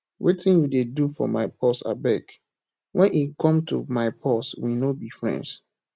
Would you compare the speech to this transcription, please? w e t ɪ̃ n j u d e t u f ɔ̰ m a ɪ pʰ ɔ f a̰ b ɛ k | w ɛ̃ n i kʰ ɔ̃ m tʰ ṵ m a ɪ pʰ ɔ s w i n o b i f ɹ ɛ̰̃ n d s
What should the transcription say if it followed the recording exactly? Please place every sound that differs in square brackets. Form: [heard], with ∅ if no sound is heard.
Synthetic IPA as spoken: w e t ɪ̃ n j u d e [d] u f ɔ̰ m a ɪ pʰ ɔ [s] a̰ b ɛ k | w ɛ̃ n i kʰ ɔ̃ m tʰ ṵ m a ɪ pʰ ɔ s w i n o b i f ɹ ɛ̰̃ n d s